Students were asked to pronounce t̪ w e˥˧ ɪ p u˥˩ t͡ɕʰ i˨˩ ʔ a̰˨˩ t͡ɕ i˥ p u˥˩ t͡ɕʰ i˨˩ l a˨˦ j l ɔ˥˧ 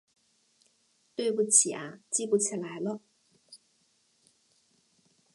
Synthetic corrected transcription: t̪ w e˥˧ ɪ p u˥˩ t͡ɕʰ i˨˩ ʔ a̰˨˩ t͡ɕ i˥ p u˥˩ t͡ɕʰ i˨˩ l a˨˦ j l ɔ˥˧